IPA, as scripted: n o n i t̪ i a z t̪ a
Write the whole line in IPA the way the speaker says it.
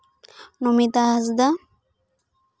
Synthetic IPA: n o m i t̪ a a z d̪ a